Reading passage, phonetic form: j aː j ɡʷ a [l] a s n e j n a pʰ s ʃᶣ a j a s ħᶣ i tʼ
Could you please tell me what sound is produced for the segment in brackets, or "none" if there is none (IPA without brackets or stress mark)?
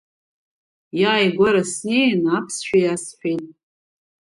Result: ɾ